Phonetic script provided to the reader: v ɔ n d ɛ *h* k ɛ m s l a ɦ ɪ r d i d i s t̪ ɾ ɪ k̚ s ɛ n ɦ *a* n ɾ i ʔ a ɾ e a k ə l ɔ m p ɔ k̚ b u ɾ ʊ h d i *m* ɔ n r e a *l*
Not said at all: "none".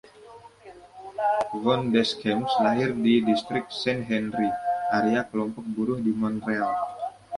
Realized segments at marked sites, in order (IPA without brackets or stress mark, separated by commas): s, ɛ, m, l